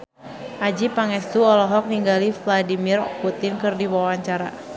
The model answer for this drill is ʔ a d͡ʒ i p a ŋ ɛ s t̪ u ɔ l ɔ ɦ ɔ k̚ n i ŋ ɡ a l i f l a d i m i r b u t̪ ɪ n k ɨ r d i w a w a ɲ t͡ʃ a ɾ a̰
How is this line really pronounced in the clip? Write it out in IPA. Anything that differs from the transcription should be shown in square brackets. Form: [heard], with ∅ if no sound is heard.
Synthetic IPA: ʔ a d͡ʒ i p a ŋ ɛ s t̪ u ɔ l ɔ ɦ ɔ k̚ n i ŋ ɡ a l i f l a d i m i r [p] u t̪ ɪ n k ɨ r d i w a w a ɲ t͡ʃ a ɾ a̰